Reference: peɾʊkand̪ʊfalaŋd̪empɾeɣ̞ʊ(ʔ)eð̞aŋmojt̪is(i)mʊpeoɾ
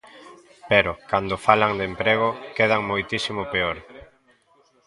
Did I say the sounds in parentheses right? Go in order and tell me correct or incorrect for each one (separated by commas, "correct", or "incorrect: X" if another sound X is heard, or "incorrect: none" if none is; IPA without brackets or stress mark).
incorrect: k, correct